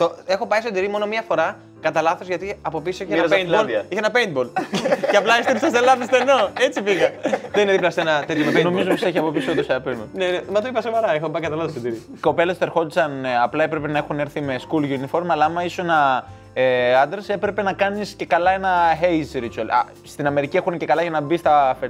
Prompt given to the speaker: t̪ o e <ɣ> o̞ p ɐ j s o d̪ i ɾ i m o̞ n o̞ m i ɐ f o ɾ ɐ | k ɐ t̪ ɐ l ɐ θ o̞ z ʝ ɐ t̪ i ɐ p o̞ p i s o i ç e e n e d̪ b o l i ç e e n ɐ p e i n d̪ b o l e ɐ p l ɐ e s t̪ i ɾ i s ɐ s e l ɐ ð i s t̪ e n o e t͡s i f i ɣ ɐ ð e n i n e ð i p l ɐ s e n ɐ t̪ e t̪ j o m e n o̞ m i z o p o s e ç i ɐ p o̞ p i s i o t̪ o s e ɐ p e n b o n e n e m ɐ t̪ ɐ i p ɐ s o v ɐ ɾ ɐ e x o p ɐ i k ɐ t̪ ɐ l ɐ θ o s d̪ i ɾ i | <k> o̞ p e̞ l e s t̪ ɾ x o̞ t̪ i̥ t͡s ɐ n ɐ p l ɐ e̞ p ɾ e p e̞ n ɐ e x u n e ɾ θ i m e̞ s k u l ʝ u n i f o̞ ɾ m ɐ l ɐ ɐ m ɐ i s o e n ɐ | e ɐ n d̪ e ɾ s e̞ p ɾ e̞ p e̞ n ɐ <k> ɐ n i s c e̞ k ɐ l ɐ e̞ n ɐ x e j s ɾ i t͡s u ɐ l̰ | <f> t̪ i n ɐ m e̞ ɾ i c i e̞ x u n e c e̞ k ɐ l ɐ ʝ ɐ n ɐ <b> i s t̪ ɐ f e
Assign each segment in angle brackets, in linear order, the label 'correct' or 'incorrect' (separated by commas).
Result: incorrect, correct, correct, incorrect, correct